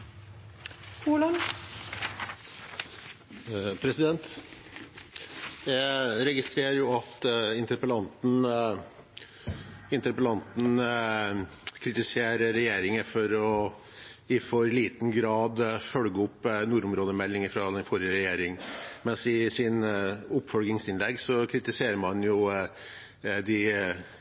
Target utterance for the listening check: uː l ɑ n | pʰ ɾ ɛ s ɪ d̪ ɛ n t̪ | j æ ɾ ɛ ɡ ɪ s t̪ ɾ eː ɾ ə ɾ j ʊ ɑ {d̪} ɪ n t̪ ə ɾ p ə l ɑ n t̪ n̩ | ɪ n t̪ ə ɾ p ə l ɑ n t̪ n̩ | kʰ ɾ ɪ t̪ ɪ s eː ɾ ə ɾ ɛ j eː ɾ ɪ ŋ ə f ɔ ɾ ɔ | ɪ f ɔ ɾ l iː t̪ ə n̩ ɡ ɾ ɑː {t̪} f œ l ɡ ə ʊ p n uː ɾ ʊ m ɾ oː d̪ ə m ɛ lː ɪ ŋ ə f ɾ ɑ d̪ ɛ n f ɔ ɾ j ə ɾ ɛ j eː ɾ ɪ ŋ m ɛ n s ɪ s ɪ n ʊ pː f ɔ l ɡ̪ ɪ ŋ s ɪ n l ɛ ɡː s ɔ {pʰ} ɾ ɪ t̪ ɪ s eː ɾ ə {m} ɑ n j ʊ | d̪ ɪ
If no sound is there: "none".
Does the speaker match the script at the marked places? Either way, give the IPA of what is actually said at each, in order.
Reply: t̪, d̪, kʰ, m

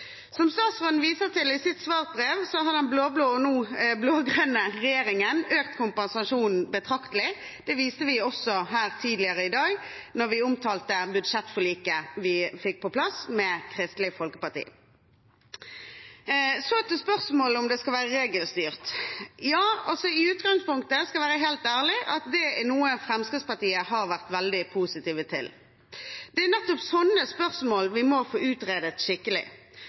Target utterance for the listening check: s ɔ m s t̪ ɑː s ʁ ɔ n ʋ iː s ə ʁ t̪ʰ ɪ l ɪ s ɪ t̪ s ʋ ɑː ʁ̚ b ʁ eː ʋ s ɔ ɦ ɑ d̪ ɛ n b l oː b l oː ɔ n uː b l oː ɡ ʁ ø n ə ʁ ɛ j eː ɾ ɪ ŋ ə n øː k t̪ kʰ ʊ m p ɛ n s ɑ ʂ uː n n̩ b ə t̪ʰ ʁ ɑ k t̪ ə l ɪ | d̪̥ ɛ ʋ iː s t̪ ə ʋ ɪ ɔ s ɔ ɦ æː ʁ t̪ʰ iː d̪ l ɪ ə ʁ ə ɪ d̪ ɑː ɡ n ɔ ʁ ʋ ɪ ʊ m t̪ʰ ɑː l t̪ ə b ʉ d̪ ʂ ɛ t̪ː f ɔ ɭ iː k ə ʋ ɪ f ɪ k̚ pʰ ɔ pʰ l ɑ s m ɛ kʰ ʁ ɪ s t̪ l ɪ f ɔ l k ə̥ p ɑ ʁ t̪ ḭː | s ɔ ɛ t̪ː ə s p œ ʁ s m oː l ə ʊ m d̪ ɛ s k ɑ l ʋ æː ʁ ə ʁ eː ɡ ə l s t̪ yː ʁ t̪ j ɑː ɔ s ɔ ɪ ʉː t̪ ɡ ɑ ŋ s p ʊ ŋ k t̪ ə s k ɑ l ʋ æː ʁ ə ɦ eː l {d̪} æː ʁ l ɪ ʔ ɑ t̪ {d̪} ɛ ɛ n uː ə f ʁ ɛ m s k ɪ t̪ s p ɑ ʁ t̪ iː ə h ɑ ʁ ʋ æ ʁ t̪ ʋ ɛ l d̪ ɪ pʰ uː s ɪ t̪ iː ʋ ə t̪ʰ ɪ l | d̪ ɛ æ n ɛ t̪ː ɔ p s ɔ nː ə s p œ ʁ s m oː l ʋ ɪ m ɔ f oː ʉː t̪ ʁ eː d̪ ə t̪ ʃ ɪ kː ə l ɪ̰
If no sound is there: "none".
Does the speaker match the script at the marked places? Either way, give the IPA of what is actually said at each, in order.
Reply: t̪, d̪

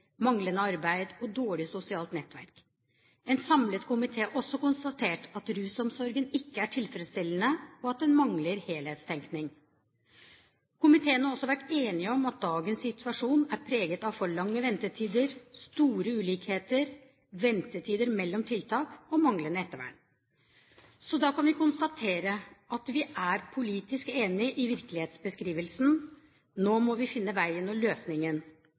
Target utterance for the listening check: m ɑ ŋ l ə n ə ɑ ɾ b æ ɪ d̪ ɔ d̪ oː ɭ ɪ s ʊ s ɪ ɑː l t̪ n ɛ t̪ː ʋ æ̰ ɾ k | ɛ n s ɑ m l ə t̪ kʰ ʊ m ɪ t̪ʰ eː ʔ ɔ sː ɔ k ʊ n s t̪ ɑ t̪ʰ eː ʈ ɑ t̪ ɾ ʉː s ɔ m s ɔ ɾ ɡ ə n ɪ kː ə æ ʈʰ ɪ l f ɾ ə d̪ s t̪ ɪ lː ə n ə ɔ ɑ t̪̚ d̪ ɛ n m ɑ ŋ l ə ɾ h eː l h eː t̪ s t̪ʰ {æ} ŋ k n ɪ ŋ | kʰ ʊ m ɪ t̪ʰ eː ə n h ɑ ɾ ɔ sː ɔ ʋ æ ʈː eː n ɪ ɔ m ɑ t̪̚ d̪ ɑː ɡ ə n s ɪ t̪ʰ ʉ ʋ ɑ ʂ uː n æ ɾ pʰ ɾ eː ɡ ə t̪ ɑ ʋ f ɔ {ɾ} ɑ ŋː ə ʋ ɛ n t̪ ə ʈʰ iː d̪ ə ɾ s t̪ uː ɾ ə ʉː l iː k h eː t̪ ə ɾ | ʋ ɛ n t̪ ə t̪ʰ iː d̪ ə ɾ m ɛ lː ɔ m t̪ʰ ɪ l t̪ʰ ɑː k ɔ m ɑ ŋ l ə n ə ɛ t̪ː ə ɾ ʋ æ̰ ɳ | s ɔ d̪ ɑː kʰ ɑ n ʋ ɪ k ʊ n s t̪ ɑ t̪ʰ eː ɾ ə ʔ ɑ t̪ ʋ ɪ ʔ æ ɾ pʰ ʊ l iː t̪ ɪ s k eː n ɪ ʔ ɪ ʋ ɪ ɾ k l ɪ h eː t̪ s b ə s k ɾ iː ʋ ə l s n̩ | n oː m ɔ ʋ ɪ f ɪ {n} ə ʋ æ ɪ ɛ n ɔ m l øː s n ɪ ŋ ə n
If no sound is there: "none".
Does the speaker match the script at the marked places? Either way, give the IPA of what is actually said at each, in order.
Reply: ɛ, ɭ, nː

